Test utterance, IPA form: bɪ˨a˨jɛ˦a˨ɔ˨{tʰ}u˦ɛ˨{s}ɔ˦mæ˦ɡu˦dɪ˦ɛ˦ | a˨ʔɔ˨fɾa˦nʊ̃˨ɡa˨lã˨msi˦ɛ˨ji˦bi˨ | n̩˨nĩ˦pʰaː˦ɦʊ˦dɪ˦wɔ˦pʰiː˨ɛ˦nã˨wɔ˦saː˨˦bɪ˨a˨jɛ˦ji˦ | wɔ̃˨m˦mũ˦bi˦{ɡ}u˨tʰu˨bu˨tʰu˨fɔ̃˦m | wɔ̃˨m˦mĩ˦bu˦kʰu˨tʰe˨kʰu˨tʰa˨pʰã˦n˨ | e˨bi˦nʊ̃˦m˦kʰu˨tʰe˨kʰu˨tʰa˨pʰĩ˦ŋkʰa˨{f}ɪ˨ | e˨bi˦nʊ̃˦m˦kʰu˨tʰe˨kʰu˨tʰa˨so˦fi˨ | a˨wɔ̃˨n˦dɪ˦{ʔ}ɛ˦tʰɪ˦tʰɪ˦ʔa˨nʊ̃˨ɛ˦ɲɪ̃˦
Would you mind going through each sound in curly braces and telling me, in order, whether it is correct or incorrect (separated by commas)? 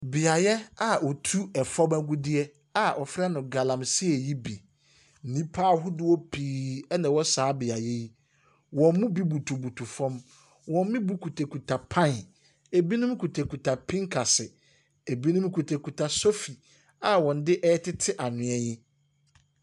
correct, incorrect, incorrect, incorrect, correct